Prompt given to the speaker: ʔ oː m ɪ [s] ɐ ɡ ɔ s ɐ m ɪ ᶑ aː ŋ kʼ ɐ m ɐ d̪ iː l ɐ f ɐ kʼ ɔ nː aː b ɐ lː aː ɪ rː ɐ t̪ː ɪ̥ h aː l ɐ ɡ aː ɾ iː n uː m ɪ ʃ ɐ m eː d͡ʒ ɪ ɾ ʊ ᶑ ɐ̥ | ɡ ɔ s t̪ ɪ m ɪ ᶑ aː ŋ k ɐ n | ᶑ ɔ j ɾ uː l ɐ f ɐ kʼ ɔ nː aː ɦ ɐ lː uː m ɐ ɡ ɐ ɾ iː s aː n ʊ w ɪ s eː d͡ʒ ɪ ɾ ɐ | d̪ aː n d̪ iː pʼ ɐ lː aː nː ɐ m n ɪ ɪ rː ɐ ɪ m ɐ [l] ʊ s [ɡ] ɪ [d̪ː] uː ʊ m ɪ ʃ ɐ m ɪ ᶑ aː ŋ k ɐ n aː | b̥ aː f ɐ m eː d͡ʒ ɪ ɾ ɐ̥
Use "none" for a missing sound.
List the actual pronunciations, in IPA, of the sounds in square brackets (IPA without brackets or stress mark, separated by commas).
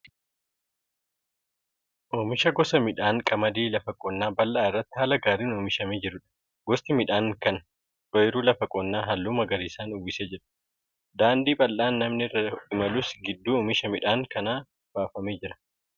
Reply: ʃ, l, ɡ, d̪ː